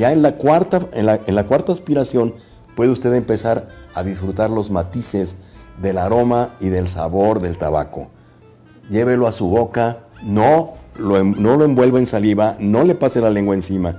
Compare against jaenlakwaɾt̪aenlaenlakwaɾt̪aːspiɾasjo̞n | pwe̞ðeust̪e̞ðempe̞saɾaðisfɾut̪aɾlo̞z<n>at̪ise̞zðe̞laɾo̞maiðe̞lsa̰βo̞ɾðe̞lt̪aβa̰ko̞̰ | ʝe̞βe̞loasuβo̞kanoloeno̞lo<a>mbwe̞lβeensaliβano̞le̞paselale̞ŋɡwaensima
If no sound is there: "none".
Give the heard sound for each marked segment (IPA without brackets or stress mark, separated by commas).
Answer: m, e